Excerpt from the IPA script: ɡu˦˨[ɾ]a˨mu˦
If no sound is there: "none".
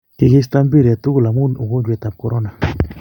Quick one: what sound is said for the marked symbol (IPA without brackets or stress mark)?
l